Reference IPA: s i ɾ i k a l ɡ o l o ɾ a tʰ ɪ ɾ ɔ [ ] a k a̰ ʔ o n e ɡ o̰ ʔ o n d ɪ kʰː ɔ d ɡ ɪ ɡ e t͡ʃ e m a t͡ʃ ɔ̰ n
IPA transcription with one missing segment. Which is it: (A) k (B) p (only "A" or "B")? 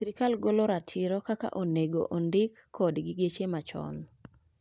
A